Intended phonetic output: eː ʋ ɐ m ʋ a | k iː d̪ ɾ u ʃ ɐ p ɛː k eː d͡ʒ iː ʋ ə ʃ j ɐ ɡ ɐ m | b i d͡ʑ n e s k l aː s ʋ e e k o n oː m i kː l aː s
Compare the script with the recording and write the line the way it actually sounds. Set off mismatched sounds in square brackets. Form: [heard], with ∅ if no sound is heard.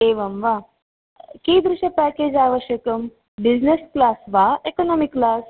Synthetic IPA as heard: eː ʋ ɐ m ʋ a | k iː d̪ ɾ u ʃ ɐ p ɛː k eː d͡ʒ [aː] ʋ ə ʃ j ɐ [k] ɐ m | b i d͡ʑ n e s k l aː s ʋ [a] e k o n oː m i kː l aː s